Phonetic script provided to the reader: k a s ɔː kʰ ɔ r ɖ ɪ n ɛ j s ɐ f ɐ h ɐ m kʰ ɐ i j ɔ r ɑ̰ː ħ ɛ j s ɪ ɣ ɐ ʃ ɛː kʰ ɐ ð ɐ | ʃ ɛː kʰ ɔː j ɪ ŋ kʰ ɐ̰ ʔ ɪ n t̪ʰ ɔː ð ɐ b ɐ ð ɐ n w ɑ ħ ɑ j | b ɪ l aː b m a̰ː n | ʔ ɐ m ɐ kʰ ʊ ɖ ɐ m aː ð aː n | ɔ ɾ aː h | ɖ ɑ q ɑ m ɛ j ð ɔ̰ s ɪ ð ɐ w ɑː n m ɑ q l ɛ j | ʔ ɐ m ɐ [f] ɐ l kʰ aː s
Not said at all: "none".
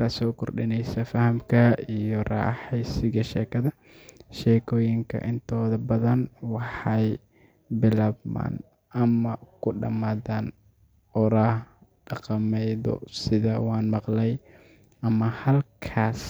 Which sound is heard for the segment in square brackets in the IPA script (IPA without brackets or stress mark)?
h